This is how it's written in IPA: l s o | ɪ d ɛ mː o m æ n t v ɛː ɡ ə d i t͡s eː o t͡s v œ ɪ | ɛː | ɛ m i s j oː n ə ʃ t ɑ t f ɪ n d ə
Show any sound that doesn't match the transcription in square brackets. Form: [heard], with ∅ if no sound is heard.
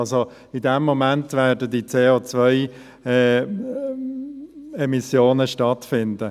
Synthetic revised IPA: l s o | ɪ d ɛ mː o m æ n t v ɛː [d] ə d i t͡s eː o t͡s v œ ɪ | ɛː | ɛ m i s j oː n ə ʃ t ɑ t f ɪ n d ə